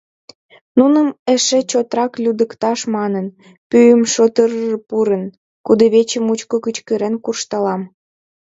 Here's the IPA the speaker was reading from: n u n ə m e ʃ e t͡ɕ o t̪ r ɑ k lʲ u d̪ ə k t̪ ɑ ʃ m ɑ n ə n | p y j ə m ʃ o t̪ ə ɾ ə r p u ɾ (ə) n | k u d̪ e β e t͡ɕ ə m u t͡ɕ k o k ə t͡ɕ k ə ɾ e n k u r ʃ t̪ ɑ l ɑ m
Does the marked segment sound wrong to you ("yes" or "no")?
no